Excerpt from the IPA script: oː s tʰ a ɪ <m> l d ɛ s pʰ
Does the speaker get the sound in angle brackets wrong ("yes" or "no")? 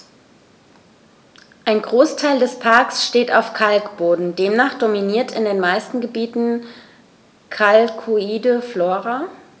yes